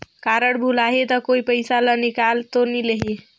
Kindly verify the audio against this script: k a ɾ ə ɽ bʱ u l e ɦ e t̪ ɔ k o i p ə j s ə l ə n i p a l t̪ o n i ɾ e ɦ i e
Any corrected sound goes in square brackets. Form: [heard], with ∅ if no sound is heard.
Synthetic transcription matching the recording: k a ɾ ə ɽ bʱ u l [a] ɦ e t̪ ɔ k o i p ə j s [a] l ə n i [k] a l t̪ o n i [l] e ɦ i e